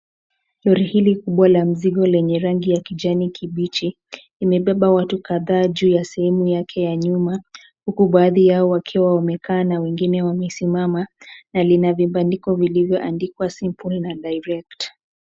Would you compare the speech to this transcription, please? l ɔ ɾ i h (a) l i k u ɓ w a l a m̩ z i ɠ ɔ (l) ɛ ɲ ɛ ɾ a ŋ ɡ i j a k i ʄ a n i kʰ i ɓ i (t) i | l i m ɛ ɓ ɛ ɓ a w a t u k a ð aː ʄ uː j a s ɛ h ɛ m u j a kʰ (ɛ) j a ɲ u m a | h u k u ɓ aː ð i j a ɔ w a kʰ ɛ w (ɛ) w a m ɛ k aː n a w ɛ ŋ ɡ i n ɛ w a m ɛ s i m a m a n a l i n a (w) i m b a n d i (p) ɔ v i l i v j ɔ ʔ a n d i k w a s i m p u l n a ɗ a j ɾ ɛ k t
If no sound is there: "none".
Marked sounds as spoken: i, l, t͡ʃ, ɛ, a, v, k

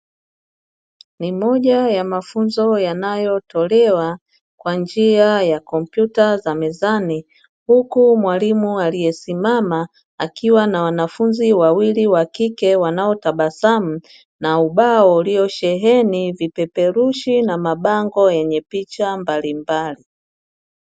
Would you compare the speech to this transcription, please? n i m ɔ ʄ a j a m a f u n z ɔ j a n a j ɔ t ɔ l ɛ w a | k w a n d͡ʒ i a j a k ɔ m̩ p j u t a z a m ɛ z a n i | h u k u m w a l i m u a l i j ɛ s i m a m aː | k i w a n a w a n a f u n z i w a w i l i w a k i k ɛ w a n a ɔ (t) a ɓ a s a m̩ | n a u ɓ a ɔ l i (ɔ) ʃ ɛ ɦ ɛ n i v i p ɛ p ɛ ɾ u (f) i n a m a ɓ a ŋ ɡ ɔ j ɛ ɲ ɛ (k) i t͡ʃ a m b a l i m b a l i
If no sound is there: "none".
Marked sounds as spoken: t, ɔ, ʃ, p

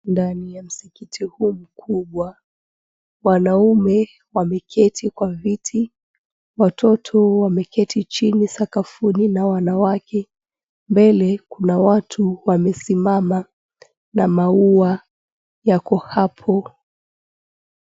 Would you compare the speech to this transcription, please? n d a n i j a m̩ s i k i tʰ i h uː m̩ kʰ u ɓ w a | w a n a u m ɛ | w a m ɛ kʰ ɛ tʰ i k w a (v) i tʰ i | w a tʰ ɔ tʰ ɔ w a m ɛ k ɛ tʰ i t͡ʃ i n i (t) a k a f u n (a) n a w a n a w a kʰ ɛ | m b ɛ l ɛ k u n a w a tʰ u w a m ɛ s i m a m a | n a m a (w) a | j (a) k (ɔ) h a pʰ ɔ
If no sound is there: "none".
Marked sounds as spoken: v, s, i, u, a, ɔ

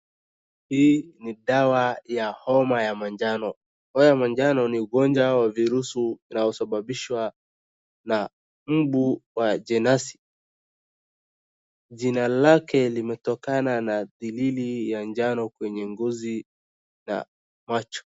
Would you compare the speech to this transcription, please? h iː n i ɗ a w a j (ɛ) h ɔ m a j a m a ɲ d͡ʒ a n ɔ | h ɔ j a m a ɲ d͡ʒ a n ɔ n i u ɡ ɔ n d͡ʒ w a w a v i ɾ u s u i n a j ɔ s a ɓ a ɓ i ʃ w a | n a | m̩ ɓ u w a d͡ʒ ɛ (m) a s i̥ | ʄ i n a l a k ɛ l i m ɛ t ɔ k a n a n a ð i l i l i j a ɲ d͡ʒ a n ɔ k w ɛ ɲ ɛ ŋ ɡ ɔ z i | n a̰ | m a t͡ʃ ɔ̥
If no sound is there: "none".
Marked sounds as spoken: a, n

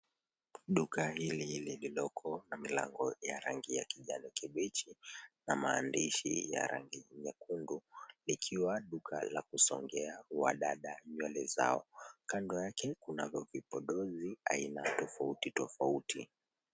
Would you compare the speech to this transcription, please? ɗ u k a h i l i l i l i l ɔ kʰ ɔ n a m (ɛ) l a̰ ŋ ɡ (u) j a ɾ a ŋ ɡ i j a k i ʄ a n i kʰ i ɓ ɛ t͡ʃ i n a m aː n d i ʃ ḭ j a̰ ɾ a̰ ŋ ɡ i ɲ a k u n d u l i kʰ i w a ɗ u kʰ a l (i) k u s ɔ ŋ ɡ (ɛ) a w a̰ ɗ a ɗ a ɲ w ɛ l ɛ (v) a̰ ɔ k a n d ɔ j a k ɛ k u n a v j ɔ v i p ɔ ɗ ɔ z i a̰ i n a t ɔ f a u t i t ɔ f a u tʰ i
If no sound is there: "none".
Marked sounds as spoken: i, ɔ, a, ɛ, z

